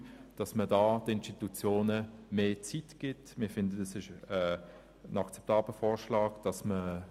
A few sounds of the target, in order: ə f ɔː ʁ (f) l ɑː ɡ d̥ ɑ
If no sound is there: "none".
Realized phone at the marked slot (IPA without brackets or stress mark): ʃ